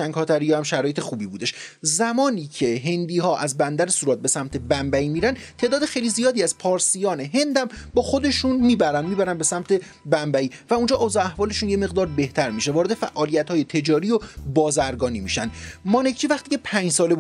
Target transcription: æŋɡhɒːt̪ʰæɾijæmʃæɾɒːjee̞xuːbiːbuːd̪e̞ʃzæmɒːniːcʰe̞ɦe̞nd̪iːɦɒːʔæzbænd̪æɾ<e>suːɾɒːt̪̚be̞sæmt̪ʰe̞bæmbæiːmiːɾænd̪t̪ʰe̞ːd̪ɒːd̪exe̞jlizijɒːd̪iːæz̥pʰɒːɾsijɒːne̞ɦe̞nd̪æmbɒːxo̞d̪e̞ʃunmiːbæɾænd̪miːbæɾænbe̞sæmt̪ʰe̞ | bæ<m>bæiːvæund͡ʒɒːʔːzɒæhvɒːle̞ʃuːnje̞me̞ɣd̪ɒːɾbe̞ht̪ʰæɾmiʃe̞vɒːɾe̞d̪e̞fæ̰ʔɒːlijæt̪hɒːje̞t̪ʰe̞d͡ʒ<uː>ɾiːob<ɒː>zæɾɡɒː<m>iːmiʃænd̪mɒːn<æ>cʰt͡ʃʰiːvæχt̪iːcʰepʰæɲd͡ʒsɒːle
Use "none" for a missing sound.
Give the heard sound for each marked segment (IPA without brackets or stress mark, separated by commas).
e, m, ɒː, ɒː, n, e